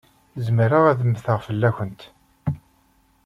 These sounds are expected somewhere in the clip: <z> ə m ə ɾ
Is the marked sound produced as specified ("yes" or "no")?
yes